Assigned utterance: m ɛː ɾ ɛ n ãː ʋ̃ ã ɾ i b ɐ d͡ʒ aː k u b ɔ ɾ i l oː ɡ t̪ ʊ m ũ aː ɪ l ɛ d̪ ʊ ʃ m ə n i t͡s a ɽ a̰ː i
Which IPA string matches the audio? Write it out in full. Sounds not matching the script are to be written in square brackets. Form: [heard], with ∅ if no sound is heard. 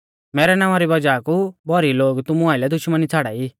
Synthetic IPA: m ɛː ɾ ɛ n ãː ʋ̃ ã ɾ i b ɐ d͡ʒ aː k u b ɔ ɾ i l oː ɡ t̪ ʊ m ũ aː ɪ l ɛ d̪ ʊ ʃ m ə n i [t͡sʰ] a ɽ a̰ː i